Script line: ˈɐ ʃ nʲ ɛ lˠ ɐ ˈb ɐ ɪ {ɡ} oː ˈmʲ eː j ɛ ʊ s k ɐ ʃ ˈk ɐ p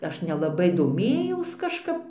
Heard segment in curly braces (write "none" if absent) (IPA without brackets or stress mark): d